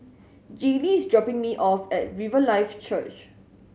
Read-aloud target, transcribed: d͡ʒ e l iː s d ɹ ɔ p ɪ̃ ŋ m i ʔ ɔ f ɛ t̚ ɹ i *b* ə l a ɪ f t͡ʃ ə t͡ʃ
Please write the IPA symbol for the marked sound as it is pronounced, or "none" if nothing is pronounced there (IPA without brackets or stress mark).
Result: v